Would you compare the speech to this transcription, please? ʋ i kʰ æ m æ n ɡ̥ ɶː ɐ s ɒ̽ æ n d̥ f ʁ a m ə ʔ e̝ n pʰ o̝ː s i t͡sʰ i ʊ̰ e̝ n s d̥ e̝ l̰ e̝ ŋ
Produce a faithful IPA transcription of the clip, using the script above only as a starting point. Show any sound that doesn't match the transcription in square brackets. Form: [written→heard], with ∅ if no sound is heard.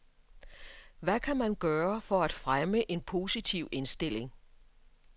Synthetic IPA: ʋ [i→æ] kʰ æ m æ n ɡ̥ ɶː ɐ [s→f] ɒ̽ æ [n→∅] d̥ f ʁ a m ə ʔ e̝ n pʰ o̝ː s i t͡sʰ i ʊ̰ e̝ n s d̥ e̝ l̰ e̝ ŋ